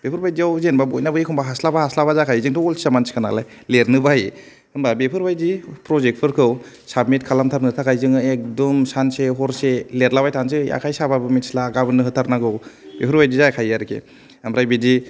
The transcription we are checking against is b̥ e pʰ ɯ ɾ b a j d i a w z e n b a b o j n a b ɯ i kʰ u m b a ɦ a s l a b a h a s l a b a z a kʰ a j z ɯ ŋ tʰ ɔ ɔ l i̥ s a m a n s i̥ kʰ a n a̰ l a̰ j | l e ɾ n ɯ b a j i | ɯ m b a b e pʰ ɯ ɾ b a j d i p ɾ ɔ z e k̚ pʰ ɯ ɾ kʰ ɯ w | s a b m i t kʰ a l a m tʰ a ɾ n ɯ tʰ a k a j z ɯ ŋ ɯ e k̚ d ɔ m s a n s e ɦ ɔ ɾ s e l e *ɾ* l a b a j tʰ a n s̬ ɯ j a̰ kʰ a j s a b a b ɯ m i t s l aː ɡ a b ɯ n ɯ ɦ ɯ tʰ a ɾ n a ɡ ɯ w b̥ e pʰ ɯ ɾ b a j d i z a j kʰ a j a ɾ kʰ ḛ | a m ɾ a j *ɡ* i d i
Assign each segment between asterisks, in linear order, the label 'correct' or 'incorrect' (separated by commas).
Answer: correct, incorrect